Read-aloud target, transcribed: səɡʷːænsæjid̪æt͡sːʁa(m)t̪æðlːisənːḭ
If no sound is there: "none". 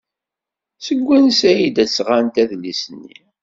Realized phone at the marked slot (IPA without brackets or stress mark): n